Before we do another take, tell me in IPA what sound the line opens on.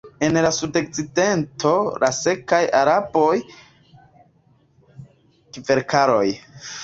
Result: e̞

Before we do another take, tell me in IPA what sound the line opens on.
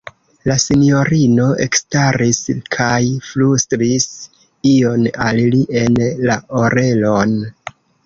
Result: l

